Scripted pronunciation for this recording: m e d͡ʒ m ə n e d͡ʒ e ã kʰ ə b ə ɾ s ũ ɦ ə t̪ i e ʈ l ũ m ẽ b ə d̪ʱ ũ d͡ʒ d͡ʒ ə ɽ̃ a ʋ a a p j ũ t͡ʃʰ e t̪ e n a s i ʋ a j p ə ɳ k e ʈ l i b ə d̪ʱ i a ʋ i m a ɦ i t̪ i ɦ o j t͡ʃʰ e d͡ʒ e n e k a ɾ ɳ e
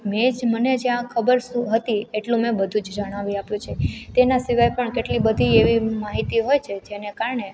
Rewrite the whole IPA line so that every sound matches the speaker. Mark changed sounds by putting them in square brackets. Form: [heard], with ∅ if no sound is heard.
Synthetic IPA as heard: m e d͡ʒ m ə n e d͡ʒ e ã kʰ ə b ə ɾ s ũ ɦ ə t̪ i e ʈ l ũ m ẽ b ə d̪ʱ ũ d͡ʒ d͡ʒ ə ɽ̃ a ʋ [i] a p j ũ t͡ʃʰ e t̪ e n a s i ʋ a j p ə ɳ k e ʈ l i b ə d̪ʱ i [e] ʋ i m a ɦ i t̪ i ɦ o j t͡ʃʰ e d͡ʒ e n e k a ɾ ɳ e

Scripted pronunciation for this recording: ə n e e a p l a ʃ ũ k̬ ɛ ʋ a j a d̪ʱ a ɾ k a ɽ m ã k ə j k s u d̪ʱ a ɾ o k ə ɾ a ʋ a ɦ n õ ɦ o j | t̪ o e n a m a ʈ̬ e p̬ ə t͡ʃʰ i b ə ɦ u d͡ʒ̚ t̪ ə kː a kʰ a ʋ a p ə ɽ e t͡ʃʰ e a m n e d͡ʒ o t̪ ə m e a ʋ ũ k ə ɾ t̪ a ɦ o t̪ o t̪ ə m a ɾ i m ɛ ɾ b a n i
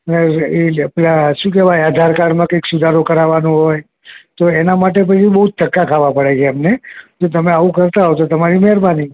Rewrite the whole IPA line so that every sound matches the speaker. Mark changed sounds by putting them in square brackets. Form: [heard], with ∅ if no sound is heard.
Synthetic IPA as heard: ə n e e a p l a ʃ ũ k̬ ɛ ʋ a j a d̪ʱ a ɾ k a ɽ m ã k ə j k s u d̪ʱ a ɾ o k ə ɾ a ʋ a [∅] n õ ɦ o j | t̪ o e n a m a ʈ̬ e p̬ ə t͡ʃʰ i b ə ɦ u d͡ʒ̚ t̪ ə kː a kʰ a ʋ a p ə ɽ e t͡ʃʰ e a m n e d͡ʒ o t̪ ə m e a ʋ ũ k ə ɾ t̪ a ɦ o t̪ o t̪ ə m a ɾ i m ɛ ɾ b a n i

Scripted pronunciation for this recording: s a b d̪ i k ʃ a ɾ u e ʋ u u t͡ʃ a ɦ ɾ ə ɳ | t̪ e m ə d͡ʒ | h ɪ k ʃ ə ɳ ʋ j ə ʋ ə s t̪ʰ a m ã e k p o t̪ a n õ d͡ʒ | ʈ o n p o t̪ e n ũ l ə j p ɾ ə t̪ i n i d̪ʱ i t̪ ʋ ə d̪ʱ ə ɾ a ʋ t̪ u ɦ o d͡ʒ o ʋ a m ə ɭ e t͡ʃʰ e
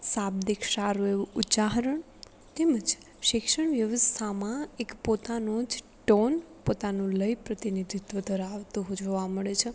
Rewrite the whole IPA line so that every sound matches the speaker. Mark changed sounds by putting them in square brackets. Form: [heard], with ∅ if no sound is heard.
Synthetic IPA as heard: s a b d̪ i k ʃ a ɾ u e ʋ u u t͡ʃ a ɦ ɾ ə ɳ | t̪ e m ə d͡ʒ | [ʃ] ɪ k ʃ ə ɳ ʋ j ə ʋ ə s t̪ʰ a m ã e k p o t̪ a n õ d͡ʒ | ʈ o n p o t̪ [a] n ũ l ə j p ɾ ə t̪ i n i d̪ʱ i t̪ ʋ ə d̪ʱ ə ɾ a ʋ t̪ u ɦ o d͡ʒ o ʋ a m ə ɭ e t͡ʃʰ e

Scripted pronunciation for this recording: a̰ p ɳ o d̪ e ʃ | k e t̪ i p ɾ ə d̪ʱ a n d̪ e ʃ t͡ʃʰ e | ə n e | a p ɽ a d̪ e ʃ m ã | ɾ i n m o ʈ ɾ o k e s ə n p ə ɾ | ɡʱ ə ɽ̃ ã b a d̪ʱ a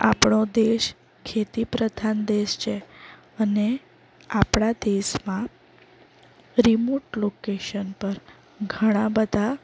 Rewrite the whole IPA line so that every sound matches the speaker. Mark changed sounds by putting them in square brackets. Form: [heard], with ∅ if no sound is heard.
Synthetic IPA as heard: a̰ p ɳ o d̪ e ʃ | [kʰ] e t̪ i p ɾ ə d̪ʱ a n d̪ e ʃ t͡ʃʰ e | ə n e | a p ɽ a d̪ e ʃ m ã | ɾ i [∅] m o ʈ [l] o k e [ʃ] ə n p ə ɾ | ɡʱ ə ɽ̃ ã b [ə] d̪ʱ a

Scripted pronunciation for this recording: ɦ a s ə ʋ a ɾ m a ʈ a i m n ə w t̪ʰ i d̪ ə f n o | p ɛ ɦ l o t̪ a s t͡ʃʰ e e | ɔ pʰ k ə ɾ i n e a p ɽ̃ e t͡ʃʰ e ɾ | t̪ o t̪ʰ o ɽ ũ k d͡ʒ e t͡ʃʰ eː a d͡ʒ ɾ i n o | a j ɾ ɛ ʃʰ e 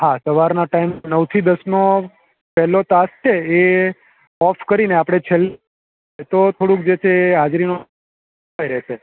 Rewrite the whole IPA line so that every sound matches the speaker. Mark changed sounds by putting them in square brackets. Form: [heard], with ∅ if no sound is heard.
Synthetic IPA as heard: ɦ a s ə ʋ a ɾ [n] a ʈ a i m n ə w t̪ʰ i d̪ ə [s] n o | p ɛ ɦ l o t̪ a s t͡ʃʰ e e | ɔ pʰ k ə ɾ i n e a p ɽ̃ e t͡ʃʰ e [l] | t̪ o t̪ʰ o ɽ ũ k d͡ʒ e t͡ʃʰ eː a d͡ʒ ɾ i n o | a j ɾ ɛ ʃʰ e

